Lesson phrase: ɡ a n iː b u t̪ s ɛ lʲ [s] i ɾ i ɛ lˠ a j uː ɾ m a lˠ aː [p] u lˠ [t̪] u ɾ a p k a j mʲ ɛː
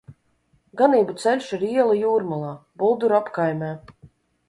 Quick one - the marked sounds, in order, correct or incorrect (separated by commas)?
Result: incorrect, incorrect, incorrect